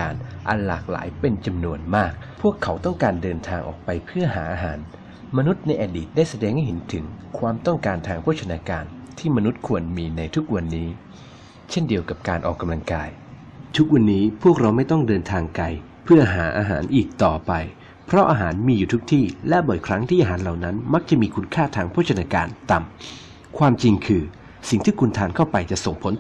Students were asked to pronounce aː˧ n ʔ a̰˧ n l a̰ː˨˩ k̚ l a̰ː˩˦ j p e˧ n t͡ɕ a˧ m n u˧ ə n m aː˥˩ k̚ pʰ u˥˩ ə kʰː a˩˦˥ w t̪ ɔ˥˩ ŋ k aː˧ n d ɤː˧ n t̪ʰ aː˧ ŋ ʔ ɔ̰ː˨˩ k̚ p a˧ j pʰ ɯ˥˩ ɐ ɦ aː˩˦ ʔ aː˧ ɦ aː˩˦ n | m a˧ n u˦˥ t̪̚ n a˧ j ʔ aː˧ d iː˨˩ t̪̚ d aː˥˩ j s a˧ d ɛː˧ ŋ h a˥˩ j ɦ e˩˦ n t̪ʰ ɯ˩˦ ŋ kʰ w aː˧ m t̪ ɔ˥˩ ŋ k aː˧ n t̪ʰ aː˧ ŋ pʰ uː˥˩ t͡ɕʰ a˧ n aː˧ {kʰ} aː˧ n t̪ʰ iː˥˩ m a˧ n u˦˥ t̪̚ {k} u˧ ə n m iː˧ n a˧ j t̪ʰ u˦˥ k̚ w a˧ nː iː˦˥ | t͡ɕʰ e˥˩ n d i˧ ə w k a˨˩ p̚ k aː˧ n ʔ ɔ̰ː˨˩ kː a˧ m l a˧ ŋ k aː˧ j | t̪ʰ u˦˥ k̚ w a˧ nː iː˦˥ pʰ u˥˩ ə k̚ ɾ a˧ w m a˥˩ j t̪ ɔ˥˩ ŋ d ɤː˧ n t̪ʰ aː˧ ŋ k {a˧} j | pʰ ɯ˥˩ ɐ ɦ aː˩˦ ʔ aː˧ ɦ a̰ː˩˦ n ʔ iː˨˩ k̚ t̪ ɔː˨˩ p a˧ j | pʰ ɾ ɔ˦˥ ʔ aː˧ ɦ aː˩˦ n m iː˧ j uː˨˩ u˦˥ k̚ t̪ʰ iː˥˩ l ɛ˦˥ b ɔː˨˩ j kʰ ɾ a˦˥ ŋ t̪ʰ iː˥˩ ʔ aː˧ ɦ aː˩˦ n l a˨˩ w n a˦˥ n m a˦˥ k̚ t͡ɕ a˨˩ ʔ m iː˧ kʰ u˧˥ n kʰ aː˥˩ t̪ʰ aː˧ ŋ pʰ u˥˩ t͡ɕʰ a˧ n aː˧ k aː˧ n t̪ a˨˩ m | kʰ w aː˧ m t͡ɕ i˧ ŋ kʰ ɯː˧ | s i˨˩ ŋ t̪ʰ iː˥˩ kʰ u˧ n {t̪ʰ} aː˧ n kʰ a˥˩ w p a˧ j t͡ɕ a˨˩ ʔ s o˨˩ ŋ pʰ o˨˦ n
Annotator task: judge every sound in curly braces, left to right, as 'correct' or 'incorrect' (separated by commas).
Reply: incorrect, incorrect, correct, correct